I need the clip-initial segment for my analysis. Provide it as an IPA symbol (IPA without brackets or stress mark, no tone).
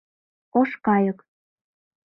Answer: o